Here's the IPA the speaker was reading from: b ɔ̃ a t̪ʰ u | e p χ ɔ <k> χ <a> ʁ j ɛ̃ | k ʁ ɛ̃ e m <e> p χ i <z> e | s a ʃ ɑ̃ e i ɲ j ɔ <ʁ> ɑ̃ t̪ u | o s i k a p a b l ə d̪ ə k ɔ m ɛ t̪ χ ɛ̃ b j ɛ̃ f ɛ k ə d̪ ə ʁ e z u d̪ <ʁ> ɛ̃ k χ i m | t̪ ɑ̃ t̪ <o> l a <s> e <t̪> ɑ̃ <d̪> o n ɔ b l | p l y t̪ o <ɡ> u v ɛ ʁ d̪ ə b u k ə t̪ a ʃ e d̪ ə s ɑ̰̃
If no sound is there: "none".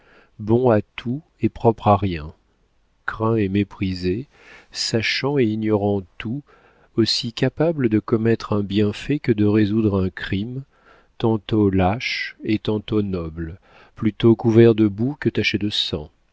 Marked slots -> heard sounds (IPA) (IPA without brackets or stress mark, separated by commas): p, a, e, z, ʁ, ʁ, o, ʃ, t̪, t̪, k